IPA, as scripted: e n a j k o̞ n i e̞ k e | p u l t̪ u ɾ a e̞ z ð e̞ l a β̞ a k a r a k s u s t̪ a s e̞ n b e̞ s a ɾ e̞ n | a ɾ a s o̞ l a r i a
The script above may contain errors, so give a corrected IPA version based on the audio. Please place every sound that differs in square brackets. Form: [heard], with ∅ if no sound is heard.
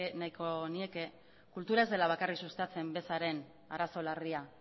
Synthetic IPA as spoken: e n a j k o̞ n i e̞ k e | [k] u l t̪ u ɾ a e̞ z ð e̞ l a β̞ a k a r [i] k s u s t̪ a [t͡s] e̞ [m] b e̞ s a ɾ e̞ n | a ɾ a s o̞ l a r i a

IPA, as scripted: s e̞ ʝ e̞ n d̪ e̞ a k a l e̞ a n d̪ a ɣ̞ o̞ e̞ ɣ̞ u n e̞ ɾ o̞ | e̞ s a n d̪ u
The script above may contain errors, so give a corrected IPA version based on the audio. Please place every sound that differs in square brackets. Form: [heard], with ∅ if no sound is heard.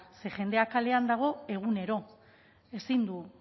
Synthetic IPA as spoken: s e̞ ʝ e̞ n d̪ e̞ a k a l e̞ a n d̪ a ɣ̞ o̞ e̞ ɣ̞ u n e̞ ɾ o̞ | e̞ s [i] n d̪ u

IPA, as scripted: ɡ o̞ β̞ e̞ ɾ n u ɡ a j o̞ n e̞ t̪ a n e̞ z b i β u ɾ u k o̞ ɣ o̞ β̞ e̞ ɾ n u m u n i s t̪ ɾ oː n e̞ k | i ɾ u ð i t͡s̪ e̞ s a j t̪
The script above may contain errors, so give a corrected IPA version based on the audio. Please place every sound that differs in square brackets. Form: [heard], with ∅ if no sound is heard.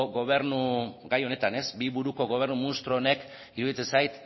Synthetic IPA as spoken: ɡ o̞ β̞ e̞ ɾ n u ɡ a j o̞ n e̞ t̪ a n e̞ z b i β u ɾ u k o̞ ɣ o̞ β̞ e̞ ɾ n u m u n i s t̪ ɾ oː n e̞ k | i ɾ u ð i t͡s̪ e̞ s a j t̪

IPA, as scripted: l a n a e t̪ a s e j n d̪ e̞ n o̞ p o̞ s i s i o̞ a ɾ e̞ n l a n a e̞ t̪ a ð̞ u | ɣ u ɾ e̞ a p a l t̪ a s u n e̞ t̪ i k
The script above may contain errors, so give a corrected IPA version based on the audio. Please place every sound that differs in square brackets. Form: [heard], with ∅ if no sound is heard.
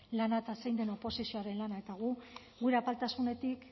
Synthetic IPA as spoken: l a n a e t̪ a s e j n d̪ e̞ n o̞ p o̞ s i s i o̞ a ɾ e̞ n l a n a e̞ t̪ a [ɣ̞] u | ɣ u ɾ e̞ a p a l t̪ a s u n e̞ t̪ i k

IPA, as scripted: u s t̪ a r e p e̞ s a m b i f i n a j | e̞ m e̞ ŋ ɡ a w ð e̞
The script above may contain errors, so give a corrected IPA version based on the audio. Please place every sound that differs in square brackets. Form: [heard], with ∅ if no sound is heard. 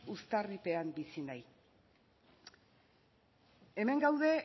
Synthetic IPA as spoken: u s t̪ a r [i] p e̞ [∅] a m b i [s] i n a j | e̞ m e̞ ŋ ɡ a w ð e̞

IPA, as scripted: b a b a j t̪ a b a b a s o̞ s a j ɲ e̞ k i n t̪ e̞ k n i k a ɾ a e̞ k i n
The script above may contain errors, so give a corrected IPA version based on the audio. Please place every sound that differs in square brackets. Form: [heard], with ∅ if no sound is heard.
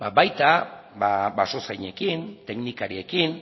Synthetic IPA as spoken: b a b a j t̪ a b a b a s o̞ s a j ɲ e̞ k i n t̪ e̞ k n i k a ɾ [i] e̞ k i n

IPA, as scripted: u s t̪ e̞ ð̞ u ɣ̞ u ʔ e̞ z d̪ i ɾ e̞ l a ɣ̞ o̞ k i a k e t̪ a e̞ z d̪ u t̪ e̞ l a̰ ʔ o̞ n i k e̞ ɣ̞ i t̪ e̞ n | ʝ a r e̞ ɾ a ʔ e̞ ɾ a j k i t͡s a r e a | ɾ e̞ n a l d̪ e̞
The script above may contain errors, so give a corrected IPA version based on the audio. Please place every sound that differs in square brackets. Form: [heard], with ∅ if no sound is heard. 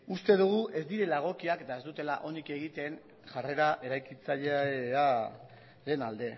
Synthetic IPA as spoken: u s t̪ e̞ ð̞ u ɣ̞ u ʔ e̞ z d̪ i ɾ e̞ l a ɣ̞ o̞ k i a k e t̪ a e̞ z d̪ u t̪ e̞ l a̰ ʔ o̞ n i k e̞ ɣ̞ i t̪ e̞ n | ʝ a r e̞ ɾ a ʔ e̞ ɾ a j k i t͡s a [ʎ] e a | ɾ e̞ n a l d̪ e̞

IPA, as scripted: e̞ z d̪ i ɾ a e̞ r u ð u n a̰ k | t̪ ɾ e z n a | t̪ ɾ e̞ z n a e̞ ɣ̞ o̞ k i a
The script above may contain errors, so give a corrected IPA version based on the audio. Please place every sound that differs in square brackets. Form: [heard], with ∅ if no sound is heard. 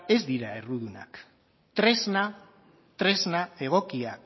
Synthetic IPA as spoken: e̞ z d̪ i ɾ a e̞ r u ð u n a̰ k | t̪ ɾ e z n a | t̪ ɾ e̞ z n a e̞ ɣ̞ o̞ k i a

